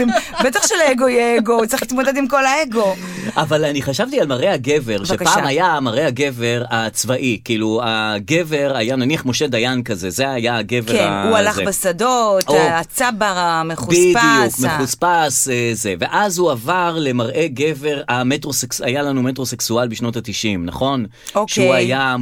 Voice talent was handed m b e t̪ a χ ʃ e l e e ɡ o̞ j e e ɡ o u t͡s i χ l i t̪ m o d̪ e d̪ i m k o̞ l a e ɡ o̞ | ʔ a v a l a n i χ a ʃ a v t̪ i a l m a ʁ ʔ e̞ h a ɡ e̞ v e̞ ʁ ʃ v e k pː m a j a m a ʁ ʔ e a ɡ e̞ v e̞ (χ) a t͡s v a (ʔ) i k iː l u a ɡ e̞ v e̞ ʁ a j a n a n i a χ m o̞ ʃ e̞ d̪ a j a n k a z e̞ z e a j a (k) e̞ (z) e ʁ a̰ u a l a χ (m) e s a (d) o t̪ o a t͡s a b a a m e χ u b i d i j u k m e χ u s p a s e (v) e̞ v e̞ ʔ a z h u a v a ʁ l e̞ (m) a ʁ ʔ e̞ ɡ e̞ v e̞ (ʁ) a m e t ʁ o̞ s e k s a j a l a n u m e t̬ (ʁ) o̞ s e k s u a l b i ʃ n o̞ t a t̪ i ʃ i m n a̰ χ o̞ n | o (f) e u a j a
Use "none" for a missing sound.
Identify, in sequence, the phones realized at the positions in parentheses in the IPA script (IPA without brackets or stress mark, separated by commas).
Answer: ʁ, ʔ, ɡ, v, b, d, z, m, ʁ, ʁ, ʃ